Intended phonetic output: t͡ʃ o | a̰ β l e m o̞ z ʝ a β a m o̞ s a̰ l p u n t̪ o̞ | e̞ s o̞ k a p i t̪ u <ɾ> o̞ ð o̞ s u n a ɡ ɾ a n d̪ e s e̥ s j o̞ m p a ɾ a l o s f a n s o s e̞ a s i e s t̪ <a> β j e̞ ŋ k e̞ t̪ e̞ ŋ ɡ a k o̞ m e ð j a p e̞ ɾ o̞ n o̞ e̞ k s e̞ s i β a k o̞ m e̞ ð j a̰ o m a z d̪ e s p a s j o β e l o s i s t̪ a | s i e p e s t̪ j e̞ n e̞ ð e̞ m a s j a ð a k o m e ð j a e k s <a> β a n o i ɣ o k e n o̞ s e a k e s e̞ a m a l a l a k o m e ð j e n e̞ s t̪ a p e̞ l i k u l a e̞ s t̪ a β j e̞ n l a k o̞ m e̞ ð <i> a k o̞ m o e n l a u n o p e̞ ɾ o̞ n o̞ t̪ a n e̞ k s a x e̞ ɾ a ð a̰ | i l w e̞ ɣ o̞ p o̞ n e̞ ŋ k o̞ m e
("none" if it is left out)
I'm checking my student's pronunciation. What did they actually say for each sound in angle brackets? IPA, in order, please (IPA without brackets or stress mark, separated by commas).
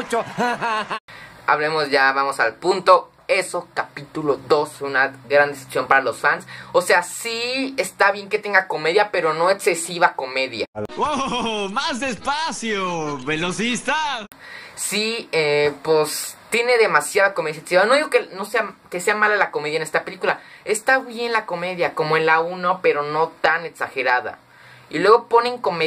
l, a, i, j